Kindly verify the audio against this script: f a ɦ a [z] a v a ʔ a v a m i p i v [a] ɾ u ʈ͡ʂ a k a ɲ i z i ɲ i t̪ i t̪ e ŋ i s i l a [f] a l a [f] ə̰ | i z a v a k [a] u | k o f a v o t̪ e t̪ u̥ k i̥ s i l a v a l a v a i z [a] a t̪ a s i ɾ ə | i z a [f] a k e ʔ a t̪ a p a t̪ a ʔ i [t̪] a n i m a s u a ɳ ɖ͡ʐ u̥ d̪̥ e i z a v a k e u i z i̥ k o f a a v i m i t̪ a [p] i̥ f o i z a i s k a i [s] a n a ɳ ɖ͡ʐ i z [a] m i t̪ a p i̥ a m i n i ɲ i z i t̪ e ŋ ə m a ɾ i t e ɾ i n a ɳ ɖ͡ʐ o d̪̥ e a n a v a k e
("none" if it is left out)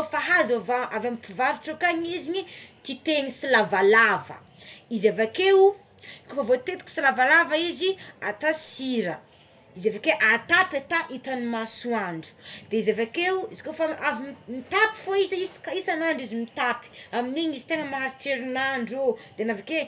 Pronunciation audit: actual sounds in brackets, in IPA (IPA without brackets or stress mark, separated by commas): z, a, v, v, e, i, v, t̪, p, s, i